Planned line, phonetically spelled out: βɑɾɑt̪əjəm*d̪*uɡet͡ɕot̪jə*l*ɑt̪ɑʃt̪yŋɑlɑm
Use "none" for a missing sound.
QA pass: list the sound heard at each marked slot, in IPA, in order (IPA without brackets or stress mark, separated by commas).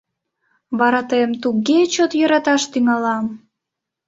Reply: t̪, ɾ